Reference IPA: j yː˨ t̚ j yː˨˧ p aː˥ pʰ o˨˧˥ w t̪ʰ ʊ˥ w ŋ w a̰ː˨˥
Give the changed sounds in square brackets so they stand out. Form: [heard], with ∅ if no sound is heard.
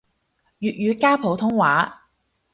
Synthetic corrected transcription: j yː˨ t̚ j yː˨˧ [k] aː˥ pʰ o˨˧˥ w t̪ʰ ʊ˥ [∅] ŋ w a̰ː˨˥